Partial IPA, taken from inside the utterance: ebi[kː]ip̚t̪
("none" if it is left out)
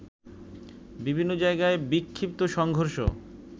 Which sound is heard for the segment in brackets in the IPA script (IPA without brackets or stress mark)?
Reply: kʰː